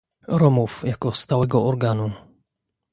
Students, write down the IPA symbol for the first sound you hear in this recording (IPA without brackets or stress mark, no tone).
ɾ